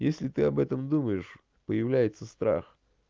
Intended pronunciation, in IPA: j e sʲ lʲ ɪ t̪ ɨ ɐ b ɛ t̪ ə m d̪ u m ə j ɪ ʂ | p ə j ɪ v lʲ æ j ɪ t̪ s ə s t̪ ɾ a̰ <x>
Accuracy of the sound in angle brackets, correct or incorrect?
correct